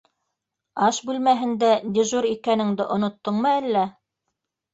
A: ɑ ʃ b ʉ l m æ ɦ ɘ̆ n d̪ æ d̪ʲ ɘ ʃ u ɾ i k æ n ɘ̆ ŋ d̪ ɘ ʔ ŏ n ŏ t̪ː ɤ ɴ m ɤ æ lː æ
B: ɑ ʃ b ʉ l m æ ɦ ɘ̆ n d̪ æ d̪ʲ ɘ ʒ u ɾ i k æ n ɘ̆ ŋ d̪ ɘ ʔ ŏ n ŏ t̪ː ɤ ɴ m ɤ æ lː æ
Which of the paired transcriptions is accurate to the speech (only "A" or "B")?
B